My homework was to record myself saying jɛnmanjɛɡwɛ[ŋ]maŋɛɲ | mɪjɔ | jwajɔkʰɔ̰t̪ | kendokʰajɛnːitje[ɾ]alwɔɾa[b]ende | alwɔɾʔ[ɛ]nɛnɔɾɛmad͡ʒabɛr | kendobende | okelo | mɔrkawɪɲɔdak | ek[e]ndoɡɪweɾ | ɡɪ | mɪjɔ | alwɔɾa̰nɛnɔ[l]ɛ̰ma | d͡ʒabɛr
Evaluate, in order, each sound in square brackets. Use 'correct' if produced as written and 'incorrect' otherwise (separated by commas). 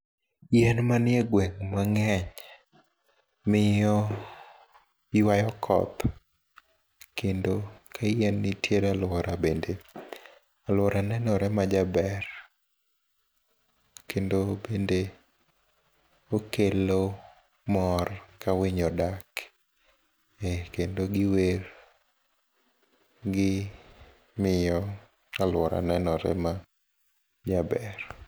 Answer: correct, correct, correct, incorrect, correct, incorrect